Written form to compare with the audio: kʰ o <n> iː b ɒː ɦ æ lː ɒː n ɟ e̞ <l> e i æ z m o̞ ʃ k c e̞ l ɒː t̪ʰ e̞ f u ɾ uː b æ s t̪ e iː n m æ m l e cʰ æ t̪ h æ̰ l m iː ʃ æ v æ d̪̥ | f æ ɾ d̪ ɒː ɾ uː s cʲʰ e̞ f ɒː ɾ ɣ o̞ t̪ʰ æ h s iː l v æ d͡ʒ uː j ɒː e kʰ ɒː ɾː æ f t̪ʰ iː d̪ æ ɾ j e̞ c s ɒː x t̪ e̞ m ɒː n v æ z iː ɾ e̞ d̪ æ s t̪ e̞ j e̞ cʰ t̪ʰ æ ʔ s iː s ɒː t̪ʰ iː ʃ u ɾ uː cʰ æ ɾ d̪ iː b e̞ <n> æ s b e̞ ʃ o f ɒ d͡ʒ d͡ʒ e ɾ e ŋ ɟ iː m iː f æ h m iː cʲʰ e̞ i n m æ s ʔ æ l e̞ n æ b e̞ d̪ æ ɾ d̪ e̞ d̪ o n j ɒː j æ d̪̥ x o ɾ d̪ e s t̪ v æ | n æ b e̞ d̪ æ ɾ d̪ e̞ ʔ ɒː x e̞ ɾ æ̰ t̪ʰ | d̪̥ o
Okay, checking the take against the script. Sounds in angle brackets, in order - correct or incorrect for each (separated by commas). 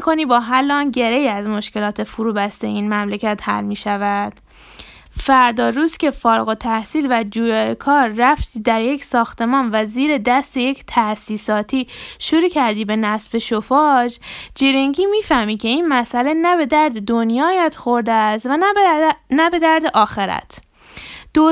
correct, incorrect, correct